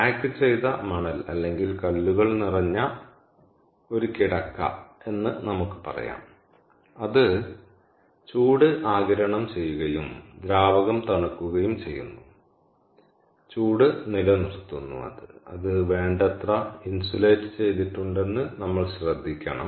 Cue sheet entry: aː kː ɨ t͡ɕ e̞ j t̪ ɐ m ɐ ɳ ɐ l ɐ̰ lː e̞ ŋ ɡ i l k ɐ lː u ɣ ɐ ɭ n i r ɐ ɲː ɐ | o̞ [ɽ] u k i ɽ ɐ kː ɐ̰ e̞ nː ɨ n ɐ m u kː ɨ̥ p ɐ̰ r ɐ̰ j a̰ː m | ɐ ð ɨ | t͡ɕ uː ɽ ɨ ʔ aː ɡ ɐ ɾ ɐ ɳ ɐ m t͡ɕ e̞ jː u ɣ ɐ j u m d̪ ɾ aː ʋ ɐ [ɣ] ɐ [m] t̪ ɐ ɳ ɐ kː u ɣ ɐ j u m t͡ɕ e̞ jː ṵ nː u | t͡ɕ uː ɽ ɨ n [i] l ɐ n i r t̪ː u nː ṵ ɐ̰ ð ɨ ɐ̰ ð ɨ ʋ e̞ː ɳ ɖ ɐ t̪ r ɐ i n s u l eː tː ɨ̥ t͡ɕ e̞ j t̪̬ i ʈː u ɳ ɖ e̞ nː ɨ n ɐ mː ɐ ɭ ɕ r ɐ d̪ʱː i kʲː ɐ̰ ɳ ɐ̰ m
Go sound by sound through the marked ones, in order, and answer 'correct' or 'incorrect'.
incorrect: ɾ, correct, correct, correct

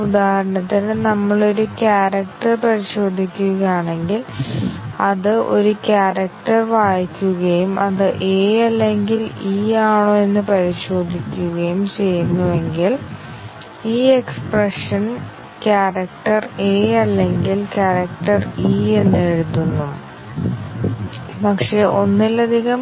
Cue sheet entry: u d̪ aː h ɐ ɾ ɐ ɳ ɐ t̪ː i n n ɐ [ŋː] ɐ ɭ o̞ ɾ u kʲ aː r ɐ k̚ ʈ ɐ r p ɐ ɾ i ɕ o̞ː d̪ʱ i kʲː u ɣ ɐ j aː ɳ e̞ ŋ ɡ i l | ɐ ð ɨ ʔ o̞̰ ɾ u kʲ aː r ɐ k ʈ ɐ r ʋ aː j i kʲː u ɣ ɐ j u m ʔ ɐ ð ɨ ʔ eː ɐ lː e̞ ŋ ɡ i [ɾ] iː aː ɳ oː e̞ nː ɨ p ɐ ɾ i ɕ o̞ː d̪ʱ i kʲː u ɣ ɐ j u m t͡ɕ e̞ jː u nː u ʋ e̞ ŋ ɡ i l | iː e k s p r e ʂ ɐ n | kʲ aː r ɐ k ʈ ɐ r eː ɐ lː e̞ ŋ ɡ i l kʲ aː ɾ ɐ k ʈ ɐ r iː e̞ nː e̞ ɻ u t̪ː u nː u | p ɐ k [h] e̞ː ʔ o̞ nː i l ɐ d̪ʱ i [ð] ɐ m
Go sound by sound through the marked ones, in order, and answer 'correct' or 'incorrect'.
incorrect: mː, incorrect: l, incorrect: ʂ, incorrect: ɣ

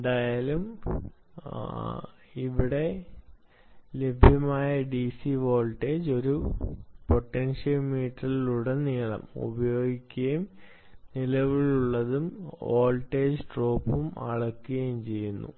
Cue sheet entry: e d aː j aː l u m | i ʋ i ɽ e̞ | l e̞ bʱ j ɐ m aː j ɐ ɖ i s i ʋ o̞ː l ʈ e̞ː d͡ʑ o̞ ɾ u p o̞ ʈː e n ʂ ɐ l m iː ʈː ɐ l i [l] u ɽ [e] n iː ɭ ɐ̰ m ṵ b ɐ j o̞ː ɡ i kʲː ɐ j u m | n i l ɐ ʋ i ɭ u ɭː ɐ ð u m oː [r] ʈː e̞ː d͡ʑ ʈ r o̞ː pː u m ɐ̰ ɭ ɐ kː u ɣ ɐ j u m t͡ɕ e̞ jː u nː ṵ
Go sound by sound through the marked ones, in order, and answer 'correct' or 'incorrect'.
correct, correct, incorrect: l

